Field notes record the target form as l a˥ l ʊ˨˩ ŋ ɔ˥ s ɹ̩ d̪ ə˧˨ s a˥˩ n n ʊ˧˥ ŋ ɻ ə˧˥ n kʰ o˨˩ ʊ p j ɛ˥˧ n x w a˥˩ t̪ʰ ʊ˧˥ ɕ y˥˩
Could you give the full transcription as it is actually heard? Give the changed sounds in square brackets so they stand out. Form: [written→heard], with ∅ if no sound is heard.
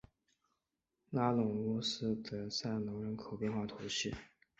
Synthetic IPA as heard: l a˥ l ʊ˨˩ ŋ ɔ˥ s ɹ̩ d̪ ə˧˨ s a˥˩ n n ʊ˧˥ ŋ ɻ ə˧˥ n kʰ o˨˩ ʊ p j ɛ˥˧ n x w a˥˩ t̪ʰ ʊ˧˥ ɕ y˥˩